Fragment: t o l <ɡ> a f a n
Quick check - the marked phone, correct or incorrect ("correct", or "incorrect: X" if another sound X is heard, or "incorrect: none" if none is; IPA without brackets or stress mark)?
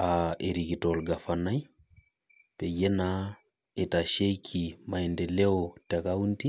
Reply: correct